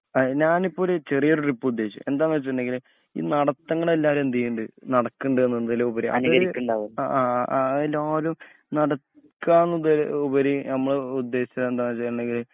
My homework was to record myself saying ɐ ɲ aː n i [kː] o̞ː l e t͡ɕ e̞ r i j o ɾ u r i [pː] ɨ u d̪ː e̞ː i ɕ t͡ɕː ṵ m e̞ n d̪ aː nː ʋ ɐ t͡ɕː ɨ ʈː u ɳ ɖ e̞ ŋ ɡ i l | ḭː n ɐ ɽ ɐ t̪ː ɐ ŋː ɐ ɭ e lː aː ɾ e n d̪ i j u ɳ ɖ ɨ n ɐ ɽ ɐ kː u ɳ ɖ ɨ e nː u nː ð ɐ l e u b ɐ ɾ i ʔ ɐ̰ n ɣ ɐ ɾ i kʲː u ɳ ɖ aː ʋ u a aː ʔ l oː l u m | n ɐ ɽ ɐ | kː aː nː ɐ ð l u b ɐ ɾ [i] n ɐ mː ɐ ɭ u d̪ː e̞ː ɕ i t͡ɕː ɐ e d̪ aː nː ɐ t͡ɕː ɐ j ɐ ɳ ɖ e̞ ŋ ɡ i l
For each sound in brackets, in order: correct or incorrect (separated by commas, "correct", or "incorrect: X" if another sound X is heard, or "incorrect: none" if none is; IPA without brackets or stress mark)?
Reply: incorrect: pː, correct, correct